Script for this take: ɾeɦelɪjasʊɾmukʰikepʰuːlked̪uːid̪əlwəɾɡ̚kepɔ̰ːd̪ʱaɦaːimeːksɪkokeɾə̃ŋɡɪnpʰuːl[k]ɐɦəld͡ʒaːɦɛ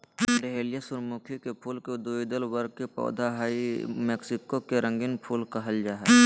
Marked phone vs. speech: correct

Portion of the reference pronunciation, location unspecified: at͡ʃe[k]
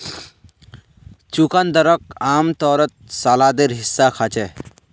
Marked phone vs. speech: incorrect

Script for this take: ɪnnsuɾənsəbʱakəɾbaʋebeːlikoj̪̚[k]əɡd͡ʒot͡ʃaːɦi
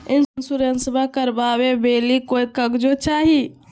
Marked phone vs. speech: correct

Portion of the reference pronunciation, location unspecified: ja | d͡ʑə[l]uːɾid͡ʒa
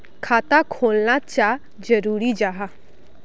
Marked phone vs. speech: incorrect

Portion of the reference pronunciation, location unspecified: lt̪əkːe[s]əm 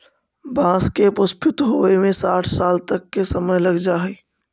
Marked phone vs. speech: correct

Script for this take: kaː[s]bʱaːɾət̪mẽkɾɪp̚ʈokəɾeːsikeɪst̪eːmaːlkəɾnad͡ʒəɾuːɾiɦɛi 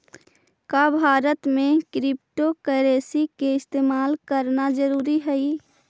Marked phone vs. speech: incorrect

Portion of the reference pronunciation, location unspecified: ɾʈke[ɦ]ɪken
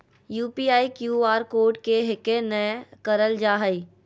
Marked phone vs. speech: correct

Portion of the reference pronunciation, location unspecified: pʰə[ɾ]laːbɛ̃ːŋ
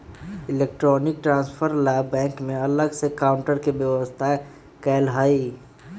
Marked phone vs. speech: correct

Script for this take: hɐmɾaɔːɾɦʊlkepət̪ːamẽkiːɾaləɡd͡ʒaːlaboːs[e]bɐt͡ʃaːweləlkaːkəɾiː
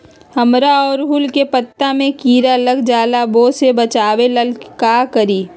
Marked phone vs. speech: correct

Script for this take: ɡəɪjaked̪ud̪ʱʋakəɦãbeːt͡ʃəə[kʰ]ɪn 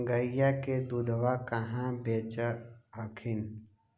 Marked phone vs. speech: correct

